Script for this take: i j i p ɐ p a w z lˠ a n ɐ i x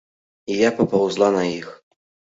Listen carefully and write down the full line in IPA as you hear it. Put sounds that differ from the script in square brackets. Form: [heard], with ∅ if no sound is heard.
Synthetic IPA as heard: i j [a] p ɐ p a w z lˠ a n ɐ i x